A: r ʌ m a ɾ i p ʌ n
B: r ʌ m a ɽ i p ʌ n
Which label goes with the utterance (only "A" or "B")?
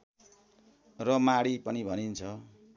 B